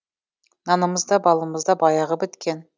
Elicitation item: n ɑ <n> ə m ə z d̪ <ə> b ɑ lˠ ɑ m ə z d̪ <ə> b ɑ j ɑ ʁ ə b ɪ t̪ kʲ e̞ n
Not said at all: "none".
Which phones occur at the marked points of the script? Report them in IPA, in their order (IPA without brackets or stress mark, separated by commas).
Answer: n, ɑ, ɑ